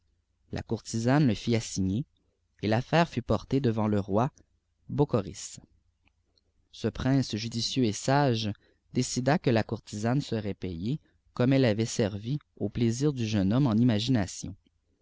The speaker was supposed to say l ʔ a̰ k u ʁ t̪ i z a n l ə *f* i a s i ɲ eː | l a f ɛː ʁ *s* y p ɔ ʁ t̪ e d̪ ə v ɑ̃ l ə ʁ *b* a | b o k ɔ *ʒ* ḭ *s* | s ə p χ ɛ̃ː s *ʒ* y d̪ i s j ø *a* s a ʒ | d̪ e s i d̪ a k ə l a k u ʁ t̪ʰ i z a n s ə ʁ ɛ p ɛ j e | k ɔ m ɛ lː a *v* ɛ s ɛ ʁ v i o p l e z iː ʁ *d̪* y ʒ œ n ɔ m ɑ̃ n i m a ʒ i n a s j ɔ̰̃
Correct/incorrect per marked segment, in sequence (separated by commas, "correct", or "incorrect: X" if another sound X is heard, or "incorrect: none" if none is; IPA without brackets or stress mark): correct, incorrect: f, incorrect: w, incorrect: ʁ, correct, correct, incorrect: e, correct, correct